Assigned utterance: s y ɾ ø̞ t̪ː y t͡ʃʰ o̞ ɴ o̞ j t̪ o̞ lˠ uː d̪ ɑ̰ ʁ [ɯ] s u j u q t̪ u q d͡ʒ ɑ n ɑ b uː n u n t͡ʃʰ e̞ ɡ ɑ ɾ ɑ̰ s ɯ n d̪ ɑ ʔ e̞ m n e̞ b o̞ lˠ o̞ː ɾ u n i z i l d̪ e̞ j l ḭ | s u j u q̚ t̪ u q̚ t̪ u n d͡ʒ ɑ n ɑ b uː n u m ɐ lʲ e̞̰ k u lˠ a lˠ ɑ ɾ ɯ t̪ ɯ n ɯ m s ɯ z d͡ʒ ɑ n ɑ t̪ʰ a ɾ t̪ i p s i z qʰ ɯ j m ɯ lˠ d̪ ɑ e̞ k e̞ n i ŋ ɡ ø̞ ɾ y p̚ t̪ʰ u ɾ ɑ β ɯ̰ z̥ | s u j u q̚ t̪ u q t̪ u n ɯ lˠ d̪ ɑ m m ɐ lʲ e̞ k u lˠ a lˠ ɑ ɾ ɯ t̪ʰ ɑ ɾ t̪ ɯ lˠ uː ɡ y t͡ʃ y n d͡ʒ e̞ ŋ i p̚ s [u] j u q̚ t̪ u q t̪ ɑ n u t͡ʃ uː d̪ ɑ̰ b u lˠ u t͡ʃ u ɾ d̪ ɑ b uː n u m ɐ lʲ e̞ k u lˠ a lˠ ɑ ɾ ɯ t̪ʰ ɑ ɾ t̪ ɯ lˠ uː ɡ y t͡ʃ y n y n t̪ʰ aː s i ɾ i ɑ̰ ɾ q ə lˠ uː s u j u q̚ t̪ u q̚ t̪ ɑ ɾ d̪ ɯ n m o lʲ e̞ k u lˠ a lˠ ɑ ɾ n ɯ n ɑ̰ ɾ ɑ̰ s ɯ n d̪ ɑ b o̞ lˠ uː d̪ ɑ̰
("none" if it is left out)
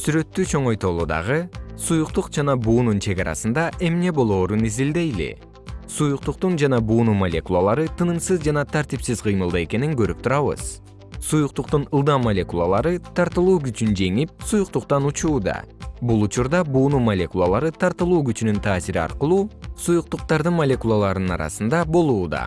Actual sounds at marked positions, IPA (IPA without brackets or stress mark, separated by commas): ɯ, u